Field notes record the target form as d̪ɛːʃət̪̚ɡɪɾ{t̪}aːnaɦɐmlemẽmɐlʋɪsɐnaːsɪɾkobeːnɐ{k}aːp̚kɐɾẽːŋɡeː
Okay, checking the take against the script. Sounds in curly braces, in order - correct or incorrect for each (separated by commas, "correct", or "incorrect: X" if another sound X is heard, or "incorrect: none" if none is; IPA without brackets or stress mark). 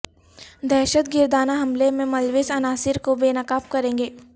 incorrect: d̪, correct